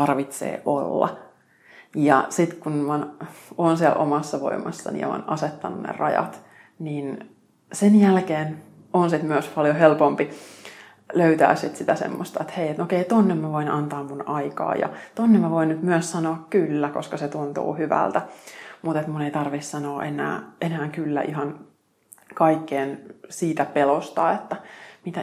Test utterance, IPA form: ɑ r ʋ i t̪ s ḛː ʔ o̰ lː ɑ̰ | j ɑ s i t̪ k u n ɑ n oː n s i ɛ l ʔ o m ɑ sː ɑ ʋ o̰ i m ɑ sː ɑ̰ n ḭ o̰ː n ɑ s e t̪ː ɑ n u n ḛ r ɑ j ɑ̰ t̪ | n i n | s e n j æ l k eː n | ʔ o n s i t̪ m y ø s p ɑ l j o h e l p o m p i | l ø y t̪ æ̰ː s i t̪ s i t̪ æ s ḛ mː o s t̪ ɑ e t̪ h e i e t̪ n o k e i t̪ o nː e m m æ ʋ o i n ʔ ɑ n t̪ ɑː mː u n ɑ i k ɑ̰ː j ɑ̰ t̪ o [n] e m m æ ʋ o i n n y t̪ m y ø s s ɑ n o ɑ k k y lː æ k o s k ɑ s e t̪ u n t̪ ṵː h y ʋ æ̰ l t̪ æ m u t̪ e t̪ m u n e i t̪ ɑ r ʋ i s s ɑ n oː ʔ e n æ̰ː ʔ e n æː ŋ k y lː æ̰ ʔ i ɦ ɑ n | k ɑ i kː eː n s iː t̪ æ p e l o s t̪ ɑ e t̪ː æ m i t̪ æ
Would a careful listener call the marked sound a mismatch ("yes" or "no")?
yes